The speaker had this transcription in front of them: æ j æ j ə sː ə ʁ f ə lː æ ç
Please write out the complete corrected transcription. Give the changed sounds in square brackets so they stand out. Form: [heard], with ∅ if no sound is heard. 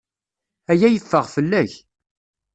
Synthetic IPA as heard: æ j æ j ə [fː] ə ʁ f ə lː æ ç